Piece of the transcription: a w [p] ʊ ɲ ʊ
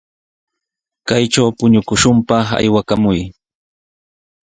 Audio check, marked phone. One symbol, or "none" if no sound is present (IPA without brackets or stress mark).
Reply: p